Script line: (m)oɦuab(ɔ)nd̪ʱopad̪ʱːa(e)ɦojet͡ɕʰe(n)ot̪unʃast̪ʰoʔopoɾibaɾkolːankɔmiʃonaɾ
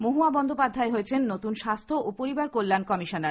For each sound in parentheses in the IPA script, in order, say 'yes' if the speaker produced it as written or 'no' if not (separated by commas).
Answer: yes, yes, yes, no